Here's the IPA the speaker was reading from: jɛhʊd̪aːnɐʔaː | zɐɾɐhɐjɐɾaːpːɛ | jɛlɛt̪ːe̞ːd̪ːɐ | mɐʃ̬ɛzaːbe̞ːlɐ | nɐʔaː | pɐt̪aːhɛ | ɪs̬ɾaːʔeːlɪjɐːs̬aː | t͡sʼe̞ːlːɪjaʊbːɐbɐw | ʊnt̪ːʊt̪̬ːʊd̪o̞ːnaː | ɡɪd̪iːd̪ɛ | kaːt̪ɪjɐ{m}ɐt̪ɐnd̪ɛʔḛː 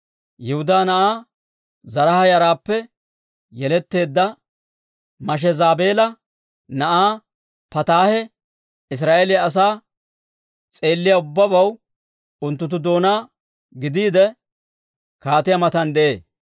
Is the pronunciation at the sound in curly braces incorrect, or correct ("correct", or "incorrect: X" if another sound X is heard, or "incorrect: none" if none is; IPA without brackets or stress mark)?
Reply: correct